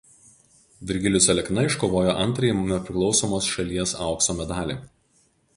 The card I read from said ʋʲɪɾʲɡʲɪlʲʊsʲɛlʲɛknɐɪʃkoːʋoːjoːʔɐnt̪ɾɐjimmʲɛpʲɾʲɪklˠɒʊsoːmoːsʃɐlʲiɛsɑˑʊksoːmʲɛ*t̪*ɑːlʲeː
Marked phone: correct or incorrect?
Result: incorrect